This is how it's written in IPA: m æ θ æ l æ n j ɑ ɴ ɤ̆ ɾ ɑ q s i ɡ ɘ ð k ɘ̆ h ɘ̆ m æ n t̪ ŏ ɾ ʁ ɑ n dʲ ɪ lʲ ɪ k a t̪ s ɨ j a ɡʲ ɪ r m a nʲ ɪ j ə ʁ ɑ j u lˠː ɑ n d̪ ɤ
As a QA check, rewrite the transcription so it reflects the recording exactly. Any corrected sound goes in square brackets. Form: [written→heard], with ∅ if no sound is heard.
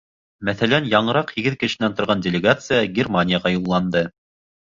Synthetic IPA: m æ θ æ l æ n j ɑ ɴ ɤ̆ ɾ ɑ q [s→h] i ɡ ɘ ð k ɘ̆ [h→ʃ] ɘ̆ [m→n] æ n t̪ ŏ ɾ ʁ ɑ n dʲ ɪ lʲ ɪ [k→ɡ] a t̪ s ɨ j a ɡʲ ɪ r m a nʲ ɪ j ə ʁ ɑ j u lˠː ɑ n d̪ ɤ